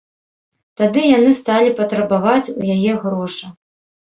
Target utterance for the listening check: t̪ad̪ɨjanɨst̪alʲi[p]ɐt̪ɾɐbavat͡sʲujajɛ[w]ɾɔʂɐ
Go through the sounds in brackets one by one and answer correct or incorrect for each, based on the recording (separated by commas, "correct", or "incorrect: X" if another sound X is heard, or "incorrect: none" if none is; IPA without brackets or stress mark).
correct, incorrect: ɣ